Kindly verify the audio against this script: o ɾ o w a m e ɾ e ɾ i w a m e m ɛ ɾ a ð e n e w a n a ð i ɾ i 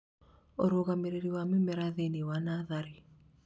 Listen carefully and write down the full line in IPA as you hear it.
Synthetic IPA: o ɾ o ɣ a m e ɾ e ɾ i w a m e m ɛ ɾ a ð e n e w a n a ð a ɾ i